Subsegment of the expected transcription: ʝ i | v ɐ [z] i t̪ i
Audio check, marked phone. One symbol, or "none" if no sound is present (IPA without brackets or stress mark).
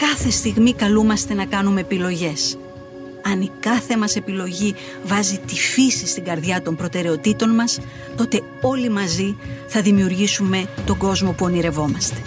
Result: z